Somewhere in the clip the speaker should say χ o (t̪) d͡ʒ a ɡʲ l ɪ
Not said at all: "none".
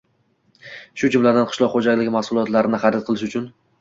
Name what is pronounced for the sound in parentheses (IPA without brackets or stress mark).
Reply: none